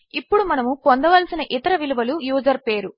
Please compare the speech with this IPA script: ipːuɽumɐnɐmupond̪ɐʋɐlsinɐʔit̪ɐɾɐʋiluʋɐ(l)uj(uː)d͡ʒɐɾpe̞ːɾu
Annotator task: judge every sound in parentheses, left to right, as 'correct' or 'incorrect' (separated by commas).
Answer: correct, correct